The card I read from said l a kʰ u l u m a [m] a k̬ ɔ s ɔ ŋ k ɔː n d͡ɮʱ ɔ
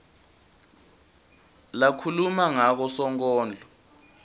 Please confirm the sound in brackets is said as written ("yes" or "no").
no